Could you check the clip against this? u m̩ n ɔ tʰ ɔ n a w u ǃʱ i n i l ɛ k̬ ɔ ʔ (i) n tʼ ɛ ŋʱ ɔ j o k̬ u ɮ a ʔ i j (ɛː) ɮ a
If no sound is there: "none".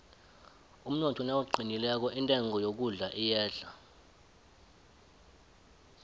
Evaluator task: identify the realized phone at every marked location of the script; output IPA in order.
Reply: i, ɛː

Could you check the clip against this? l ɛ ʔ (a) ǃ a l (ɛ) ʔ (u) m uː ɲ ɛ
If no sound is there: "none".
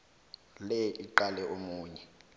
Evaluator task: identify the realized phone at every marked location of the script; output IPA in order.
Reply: i, ɛ, o

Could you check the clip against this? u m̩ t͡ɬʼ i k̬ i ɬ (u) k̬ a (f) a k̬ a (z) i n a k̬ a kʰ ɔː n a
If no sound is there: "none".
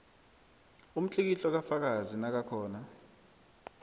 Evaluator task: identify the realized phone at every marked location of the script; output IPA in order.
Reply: ɔ, f, z

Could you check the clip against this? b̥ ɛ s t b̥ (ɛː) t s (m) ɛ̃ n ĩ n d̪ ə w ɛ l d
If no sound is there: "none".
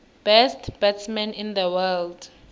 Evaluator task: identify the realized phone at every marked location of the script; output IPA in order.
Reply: ɛ, m

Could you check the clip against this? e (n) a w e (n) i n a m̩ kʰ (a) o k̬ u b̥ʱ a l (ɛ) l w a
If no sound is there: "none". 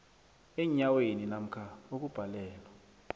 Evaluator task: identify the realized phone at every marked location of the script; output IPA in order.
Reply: ɲ, n, a, ɛː

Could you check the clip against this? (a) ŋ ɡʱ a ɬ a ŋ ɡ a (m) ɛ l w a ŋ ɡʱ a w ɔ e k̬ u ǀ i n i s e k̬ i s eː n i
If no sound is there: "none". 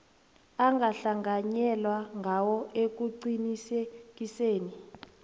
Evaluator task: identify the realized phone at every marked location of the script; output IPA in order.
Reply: a, ɲ

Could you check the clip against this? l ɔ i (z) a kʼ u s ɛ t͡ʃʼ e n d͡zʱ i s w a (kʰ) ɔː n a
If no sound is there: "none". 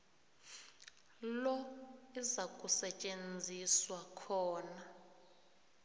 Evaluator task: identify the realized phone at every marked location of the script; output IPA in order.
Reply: z, kʰ

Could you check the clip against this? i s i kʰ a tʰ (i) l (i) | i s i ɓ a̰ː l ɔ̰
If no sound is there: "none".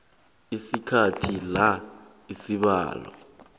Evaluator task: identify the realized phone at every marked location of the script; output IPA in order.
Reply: i, a

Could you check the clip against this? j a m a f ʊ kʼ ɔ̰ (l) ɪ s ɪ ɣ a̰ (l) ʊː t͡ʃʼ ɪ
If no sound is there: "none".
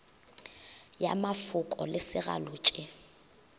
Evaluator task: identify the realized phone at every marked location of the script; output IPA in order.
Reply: l, l

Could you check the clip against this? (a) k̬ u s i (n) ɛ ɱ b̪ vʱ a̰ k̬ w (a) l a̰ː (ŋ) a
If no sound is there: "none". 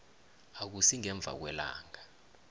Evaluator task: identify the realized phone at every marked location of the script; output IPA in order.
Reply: a, ŋ, ɛ, ŋ

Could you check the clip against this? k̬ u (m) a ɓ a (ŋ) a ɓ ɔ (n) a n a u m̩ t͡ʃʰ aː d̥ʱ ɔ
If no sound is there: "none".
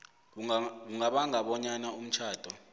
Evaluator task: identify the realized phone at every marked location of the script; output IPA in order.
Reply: ŋ, ŋ, ɲ

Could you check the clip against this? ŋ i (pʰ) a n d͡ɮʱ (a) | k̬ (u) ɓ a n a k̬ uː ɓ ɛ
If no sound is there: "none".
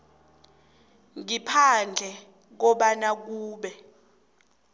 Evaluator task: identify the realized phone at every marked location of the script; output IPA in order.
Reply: pʰ, ɛ, ɔ

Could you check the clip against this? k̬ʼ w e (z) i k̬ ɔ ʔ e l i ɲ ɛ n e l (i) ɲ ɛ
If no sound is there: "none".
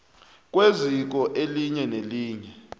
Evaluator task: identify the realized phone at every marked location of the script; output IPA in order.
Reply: z, iː

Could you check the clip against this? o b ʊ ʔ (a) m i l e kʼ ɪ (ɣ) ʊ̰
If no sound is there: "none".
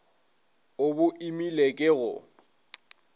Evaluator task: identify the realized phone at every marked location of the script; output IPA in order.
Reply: i, ɣ

